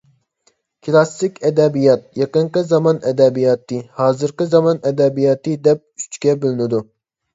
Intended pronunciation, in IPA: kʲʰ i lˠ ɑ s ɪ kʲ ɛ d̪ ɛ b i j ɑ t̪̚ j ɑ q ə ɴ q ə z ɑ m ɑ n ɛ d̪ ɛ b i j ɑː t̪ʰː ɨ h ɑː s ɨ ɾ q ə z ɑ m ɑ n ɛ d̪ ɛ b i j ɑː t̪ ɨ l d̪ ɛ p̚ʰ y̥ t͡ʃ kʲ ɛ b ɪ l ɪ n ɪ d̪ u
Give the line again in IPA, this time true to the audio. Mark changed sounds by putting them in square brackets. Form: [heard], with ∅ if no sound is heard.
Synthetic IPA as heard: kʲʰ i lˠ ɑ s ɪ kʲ ɛ d̪ ɛ b i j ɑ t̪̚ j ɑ q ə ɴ q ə z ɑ m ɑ n ɛ d̪ ɛ b i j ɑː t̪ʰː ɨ h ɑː [z] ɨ ɾ q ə z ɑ m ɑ n ɛ d̪ ɛ b i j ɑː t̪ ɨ [∅] d̪ ɛ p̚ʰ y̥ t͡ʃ kʲ ɛ b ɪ l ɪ n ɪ d̪ u